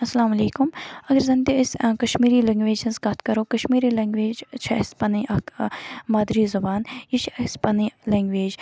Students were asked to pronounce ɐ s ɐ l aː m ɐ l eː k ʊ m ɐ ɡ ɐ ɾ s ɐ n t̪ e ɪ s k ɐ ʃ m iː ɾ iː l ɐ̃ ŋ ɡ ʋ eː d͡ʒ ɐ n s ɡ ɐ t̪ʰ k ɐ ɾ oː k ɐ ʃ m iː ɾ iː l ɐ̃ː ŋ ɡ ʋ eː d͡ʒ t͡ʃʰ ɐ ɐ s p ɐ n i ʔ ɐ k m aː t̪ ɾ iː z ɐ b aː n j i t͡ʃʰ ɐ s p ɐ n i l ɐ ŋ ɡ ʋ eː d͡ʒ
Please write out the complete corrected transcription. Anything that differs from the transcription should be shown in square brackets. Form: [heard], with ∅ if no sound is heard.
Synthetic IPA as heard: ɐ s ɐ l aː m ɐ l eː k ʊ m ɐ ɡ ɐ ɾ [z] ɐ n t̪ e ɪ s k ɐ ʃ m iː ɾ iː l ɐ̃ ŋ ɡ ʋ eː d͡ʒ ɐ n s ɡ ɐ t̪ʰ k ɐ ɾ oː k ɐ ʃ m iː ɾ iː l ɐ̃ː ŋ ɡ ʋ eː d͡ʒ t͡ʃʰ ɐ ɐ s p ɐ n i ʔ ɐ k m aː [d̪] ɾ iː z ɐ b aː n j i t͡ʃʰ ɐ s p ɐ n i l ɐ ŋ ɡ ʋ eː d͡ʒ